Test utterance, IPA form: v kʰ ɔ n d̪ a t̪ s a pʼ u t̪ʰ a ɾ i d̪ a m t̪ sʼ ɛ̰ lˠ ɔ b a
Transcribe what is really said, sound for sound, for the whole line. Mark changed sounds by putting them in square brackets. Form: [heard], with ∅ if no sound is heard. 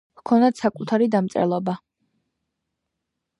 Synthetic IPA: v kʰ ɔ n d̪ a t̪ s a [kʼ] u t̪ʰ a ɾ i d̪ a m t̪ sʼ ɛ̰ lˠ ɔ b a